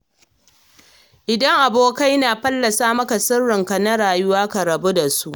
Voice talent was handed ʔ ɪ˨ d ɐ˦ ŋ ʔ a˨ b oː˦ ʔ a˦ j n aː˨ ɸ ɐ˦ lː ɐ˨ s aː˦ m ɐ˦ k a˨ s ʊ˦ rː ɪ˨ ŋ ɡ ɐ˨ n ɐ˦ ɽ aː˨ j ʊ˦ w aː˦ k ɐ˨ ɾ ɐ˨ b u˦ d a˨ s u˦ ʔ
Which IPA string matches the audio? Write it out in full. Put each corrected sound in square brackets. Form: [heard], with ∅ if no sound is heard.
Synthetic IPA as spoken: ʔ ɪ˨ d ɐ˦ ŋ ʔ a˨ b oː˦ [k] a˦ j n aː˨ ɸ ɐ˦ lː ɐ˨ s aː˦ m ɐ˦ k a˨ s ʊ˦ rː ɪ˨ ŋ [k] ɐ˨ n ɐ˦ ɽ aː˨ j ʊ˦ w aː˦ k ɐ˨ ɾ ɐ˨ b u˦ d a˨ s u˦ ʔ

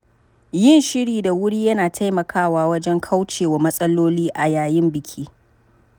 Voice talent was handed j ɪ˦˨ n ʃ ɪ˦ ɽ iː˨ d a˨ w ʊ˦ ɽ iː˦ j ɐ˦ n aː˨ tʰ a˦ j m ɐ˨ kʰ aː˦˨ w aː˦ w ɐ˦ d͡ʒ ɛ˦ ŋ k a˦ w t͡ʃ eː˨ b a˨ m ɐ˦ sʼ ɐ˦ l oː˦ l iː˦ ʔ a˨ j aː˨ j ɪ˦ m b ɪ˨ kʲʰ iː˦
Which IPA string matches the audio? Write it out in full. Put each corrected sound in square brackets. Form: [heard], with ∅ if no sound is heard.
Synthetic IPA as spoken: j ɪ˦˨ n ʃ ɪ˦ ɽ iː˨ d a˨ w ʊ˦ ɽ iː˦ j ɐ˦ n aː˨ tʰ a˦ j m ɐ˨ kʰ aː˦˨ w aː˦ w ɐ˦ d͡ʒ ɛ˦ ŋ [kʰ] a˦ w t͡ʃ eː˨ [w] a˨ m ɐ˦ sʼ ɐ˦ l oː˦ l iː˦ ʔ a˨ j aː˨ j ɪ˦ m b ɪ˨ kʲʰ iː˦

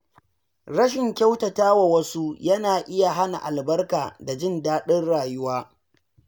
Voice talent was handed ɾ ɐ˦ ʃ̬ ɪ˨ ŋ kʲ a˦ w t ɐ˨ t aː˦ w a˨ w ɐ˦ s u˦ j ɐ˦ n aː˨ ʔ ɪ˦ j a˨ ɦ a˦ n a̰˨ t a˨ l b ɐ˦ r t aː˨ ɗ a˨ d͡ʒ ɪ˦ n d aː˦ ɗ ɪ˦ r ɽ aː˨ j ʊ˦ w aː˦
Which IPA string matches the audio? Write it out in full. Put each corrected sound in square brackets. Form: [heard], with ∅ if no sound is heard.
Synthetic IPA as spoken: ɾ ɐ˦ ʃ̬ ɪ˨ ŋ kʲ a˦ w t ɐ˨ t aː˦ w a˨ w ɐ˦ s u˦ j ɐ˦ n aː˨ ʔ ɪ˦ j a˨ ɦ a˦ n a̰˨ [ʔ] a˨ l b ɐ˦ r [k] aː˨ [d] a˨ d͡ʒ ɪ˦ n d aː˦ ɗ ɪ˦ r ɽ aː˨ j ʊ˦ w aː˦

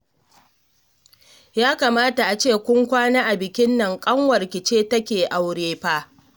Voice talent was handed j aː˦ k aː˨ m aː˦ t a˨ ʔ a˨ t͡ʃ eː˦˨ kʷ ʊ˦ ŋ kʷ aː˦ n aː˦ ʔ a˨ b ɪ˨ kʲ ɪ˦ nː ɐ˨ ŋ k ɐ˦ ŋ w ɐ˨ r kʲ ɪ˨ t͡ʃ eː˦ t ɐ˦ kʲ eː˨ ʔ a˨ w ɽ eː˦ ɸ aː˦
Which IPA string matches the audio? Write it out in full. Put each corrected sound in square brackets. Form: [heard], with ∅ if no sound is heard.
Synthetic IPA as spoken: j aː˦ k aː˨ m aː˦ t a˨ ʔ a˨ t͡ʃ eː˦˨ kʷ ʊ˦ ŋ kʷ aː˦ n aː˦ ʔ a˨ b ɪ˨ kʲ ɪ˦ nː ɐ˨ ŋ [kʼ] ɐ˦ ŋ w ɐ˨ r kʲ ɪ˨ t͡ʃ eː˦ t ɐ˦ kʲ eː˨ ʔ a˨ w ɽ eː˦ ɸ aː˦

